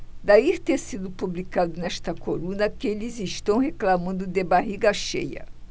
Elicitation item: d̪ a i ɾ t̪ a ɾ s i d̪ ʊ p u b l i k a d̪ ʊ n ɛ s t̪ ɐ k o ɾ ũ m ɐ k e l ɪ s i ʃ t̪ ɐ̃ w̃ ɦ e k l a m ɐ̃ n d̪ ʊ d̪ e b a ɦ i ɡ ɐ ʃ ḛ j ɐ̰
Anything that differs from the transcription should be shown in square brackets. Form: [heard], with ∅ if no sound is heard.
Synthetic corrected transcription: d̪ a i ɾ t̪ [e] ɾ s i d̪ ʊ p u b l i k a d̪ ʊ n ɛ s t̪ ɐ k o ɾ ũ [n] ɐ k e l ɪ [z] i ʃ t̪ ɐ̃ w̃ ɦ e k l a m ɐ̃ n d̪ ʊ d̪ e b a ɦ i ɡ ɐ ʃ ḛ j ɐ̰